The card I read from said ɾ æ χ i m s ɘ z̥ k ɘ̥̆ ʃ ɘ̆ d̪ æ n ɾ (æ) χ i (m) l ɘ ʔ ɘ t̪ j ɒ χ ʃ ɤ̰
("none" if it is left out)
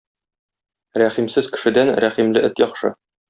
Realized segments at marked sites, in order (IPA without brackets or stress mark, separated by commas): æ, m